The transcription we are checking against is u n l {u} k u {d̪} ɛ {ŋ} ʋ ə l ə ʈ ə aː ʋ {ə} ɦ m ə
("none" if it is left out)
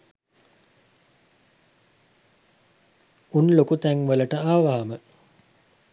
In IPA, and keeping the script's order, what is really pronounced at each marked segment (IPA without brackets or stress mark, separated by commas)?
o, t̪, ŋ, a